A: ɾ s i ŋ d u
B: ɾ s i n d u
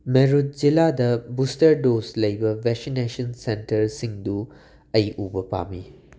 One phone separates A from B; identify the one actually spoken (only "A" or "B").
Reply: A